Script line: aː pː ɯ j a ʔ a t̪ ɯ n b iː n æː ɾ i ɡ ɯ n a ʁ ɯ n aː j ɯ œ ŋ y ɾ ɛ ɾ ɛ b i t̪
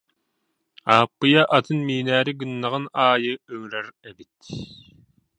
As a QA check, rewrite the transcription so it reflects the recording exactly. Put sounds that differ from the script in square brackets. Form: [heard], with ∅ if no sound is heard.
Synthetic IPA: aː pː ɯ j a ʔ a t̪ ɯ n [m] iː n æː ɾ i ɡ ɯ [nː] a ʁ ɯ n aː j ɯ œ ŋ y ɾ ɛ ɾ ɛ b i t̪